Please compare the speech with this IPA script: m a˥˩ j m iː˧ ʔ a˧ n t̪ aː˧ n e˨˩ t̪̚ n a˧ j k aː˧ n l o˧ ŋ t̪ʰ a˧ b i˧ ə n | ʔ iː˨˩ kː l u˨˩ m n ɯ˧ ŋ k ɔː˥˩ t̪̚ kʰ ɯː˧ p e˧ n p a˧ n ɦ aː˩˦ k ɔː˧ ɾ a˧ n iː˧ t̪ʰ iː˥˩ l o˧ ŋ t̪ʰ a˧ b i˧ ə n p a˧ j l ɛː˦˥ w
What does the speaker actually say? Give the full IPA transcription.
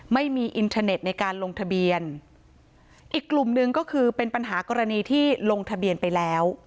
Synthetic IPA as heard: m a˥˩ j m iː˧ ʔ i˧ n t̪ʰ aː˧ n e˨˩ t̪̚ n a˧ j k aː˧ n l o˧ ŋ t̪ʰ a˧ b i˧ ə n | ʔ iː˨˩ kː l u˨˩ m n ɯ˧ ŋ k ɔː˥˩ kʰ ɯː˧ p e˧ n p a˧ n ɦ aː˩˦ k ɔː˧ ɾ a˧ n iː˧ t̪ʰ iː˥˩ l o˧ ŋ t̪ʰ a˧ b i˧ ə n p a˧ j l ɛː˦˥ w

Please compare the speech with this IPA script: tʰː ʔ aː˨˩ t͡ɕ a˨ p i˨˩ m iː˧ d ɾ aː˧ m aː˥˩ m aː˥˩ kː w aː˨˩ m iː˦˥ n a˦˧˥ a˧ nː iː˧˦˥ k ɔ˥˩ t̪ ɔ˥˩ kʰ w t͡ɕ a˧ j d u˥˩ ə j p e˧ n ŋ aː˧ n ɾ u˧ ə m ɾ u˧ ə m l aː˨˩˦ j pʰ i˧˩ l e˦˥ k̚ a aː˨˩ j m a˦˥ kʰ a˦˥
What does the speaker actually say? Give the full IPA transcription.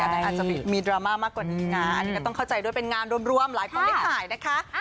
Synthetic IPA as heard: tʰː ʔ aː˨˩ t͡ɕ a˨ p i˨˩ m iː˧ d ɾ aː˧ m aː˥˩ m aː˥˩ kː w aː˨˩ n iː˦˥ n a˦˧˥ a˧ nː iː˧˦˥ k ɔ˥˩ t̪ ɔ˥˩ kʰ w t͡ɕ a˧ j d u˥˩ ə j p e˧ n ŋ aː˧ n ɾ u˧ ə m ɾ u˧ ə m l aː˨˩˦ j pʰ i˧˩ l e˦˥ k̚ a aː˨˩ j n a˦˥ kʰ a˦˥

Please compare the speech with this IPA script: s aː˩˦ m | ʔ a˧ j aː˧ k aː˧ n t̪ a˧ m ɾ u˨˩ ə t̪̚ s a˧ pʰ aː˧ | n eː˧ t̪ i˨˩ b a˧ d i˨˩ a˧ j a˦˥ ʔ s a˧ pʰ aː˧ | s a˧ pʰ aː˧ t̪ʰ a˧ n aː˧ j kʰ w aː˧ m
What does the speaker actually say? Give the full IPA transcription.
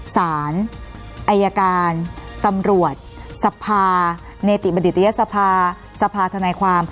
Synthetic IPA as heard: s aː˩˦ n | ʔ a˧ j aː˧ k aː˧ n t̪ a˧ m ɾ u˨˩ ə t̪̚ s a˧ pʰ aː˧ | n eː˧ t̪ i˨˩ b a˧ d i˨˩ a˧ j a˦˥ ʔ s a˧ pʰ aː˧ | s a˧ pʰ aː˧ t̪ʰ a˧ n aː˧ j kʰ w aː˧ m

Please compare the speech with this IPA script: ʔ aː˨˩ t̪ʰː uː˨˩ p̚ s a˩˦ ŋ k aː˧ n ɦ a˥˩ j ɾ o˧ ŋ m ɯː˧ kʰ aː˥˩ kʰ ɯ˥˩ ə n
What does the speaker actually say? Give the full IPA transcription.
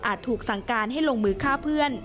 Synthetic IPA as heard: ʔ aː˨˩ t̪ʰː uː˨˩ k̚ s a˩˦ ŋ k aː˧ n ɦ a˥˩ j l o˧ ŋ m ɯː˧ kʰ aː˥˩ pʰ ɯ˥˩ ə n

